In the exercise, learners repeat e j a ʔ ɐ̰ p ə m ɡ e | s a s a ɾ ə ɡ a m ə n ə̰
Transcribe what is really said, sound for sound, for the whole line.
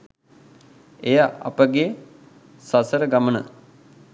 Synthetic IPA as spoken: e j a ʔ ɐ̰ p ə ɡ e | s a s ə ɾ ə ɡ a m ə n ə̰